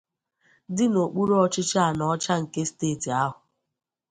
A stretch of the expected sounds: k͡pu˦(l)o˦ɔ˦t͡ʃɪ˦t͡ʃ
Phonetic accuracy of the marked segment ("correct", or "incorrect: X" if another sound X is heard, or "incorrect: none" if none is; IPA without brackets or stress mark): incorrect: ɾ